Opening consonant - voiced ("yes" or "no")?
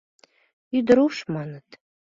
yes